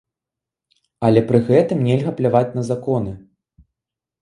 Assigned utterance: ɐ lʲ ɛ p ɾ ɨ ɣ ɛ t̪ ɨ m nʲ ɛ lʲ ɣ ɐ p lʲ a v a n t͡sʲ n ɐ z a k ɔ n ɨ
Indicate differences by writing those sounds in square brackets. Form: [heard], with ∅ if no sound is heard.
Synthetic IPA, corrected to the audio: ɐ lʲ ɛ p ɾ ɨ ɣ ɛ t̪ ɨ m nʲ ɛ lʲ ɣ ɐ p lʲ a v a [∅] t͡sʲ n ɐ z a k ɔ n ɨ